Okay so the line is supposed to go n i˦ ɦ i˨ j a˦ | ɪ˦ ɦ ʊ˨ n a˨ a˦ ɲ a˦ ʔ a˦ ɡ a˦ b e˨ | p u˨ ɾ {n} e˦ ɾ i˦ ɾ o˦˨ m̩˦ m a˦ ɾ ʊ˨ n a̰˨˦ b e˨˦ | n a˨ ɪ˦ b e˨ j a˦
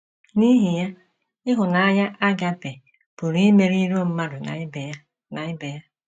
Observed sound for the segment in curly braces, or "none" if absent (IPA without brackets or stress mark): m